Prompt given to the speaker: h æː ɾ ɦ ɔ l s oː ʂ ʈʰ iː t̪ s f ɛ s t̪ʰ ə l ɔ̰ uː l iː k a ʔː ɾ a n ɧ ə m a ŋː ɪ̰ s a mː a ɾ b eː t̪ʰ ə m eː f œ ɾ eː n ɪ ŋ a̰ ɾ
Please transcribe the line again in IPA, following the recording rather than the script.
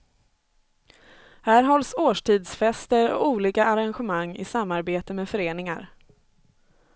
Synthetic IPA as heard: h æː ɾ ɦ ɔ l s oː ʂ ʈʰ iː d̪ s f ɛ s t̪ ə ɾ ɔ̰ uː l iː k a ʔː ɾ a n ɧ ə m a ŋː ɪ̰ s a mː a ɾ b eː t̪ ə m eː f œ ɾ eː n ɪ ŋ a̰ ɾ